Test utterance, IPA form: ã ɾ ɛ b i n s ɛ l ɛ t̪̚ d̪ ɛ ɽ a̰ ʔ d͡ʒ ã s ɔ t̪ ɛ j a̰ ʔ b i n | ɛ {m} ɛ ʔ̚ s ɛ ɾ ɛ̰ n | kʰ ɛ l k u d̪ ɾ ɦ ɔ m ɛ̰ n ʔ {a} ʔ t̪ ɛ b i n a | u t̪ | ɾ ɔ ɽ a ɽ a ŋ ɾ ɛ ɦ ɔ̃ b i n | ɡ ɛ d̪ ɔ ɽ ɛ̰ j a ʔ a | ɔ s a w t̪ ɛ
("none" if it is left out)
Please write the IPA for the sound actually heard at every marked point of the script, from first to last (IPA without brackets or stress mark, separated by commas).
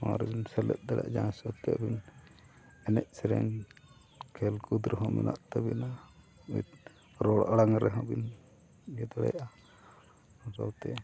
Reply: n, a